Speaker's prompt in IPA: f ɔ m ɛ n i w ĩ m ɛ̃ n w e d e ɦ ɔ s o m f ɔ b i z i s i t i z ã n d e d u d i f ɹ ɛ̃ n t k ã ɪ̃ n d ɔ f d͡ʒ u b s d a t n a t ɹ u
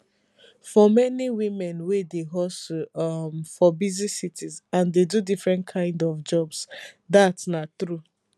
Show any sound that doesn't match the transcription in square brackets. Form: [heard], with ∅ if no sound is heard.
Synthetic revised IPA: f ɔ m ɛ n i w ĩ m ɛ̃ n w e d e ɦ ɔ s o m f ɔ b i z i s i t i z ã n d e d u d i f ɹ ɛ̃ n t [kʰ] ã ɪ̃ n d ɔ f d͡ʒ [ɔ] b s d a t n a t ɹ u